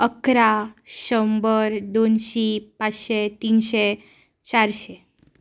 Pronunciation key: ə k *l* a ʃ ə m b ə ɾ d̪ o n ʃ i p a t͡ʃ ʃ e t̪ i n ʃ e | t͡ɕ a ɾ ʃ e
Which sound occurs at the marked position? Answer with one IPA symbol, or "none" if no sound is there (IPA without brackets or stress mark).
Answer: ɾ